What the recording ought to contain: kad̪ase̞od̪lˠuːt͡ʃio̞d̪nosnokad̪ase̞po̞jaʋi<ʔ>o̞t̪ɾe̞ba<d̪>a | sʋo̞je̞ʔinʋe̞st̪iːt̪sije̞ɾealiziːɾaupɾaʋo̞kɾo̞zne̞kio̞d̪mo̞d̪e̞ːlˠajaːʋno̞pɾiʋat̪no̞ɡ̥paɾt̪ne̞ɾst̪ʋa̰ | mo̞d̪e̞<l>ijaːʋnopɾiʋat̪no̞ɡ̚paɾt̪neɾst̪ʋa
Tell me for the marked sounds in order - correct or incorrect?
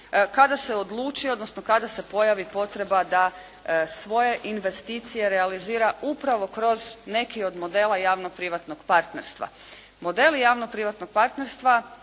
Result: incorrect: p, correct, correct

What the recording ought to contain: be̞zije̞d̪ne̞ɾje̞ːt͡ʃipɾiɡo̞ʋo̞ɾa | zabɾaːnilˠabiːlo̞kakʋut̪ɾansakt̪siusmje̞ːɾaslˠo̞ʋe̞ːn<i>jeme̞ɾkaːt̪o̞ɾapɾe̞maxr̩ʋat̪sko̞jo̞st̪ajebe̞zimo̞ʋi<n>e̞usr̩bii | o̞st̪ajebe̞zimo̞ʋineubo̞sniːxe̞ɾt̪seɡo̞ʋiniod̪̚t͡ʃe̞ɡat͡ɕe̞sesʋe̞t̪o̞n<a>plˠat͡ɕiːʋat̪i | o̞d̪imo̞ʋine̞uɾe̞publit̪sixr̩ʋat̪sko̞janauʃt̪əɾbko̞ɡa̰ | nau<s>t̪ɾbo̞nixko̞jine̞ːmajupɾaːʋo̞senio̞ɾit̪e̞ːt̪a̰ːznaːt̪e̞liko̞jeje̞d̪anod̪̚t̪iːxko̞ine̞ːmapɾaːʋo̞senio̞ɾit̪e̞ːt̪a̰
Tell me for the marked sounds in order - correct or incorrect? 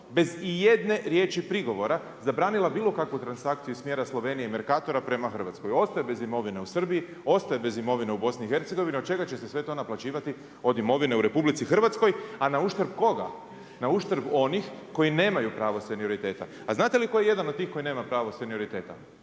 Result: correct, correct, correct, incorrect: ʃ

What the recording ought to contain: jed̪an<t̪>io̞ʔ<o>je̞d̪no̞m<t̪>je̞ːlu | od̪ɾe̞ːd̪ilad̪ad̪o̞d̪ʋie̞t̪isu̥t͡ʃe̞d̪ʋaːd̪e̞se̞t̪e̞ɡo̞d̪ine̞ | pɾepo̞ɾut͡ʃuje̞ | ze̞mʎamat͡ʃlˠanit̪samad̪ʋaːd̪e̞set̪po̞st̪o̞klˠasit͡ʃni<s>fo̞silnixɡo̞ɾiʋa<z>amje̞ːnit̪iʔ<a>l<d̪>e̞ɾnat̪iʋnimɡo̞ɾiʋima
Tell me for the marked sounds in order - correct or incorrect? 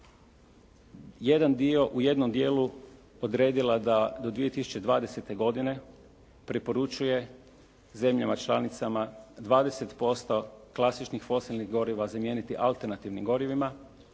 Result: incorrect: d̪, incorrect: u, incorrect: d̪, incorrect: x, correct, correct, incorrect: t̪

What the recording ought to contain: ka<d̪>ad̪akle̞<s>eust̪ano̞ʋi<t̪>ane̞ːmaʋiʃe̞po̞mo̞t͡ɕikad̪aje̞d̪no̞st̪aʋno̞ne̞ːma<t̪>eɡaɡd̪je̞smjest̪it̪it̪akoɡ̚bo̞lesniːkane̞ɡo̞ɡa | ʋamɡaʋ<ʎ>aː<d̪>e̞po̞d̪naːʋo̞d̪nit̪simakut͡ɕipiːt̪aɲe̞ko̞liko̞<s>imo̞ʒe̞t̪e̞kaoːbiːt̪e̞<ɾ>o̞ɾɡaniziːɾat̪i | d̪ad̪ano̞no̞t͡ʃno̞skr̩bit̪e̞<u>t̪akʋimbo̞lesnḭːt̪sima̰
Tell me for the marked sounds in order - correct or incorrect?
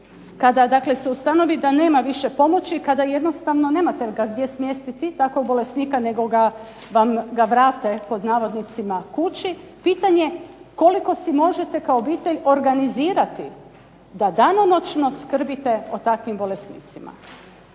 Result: correct, correct, incorrect: d̪, correct, incorrect: ɾ, incorrect: t̪, correct, incorrect: ʎ, incorrect: o

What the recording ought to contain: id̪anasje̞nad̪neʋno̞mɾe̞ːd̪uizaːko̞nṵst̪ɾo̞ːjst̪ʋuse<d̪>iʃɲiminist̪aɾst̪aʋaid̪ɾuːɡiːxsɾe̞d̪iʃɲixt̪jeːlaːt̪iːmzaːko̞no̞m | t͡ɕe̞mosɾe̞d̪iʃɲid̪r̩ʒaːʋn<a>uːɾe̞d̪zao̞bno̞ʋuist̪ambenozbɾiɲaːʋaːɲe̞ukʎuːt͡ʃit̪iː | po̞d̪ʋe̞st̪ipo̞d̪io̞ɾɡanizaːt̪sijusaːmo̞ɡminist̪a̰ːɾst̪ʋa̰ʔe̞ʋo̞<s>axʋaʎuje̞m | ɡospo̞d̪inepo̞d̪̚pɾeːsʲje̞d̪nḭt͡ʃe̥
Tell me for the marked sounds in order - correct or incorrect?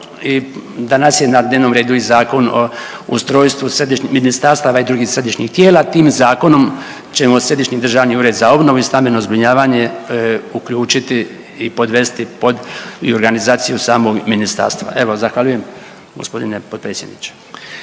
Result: correct, incorrect: i, incorrect: z

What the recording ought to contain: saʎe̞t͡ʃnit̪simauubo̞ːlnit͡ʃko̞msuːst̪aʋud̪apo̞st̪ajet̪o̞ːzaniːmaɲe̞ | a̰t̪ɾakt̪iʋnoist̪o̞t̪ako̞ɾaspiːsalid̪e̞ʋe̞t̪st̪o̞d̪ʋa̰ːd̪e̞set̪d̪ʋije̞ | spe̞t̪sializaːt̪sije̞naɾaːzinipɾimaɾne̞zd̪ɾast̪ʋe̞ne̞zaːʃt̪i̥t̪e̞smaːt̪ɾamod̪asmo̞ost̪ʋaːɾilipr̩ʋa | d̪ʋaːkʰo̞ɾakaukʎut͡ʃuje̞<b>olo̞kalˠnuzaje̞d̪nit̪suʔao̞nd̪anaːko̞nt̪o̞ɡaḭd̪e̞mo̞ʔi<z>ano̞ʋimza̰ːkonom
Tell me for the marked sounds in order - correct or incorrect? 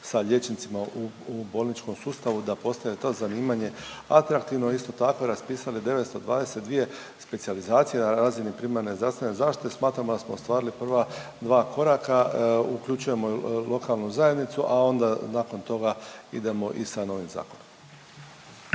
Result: incorrect: m, incorrect: s

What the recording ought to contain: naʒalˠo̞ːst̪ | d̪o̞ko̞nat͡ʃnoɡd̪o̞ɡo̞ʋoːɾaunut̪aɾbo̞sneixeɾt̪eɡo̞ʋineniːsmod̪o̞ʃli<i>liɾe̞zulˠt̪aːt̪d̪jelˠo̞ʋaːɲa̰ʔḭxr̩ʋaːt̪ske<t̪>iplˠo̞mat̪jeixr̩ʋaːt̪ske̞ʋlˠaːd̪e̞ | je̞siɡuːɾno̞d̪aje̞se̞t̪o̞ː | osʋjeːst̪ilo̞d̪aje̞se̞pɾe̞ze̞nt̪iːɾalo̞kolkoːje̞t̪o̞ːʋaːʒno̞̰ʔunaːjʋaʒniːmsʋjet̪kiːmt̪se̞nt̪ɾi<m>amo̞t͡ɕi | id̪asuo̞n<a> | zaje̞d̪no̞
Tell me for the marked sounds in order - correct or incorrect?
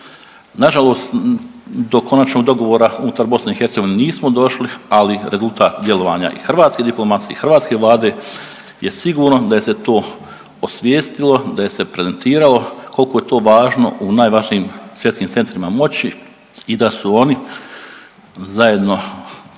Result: incorrect: a, incorrect: d̪, correct, incorrect: i

